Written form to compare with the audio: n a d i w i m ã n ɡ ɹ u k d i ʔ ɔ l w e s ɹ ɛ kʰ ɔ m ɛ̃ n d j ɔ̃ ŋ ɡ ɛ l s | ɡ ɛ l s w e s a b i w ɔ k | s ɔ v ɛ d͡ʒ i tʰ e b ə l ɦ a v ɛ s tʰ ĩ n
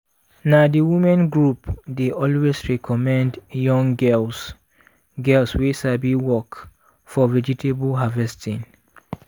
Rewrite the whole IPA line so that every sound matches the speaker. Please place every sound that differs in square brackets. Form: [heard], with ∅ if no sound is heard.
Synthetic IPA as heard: n a d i w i m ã n ɡ ɹ u [p] d [e] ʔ ɔ l w e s ɹ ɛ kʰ ɔ m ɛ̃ n d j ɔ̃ ŋ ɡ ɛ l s | ɡ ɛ l s w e s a b i w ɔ k | [f] ɔ v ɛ d͡ʒ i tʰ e b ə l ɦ a v ɛ s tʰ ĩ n